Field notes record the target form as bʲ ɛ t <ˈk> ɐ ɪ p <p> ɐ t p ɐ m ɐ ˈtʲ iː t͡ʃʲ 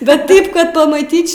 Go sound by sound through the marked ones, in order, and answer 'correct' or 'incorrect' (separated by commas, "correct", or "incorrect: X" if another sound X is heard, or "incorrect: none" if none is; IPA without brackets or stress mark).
incorrect: t, incorrect: k